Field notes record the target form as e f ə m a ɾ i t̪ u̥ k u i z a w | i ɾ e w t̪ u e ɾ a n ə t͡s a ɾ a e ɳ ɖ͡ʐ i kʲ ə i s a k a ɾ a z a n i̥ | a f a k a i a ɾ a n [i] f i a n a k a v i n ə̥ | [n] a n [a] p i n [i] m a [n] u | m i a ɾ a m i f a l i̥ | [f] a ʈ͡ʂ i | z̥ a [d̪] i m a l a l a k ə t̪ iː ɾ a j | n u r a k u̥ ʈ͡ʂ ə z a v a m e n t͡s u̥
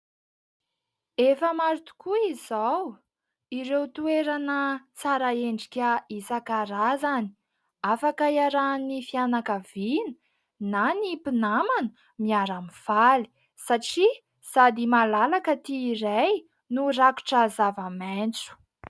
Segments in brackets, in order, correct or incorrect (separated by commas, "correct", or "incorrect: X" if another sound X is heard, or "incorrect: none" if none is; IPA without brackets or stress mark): correct, correct, incorrect: i, incorrect: a, correct, incorrect: s, correct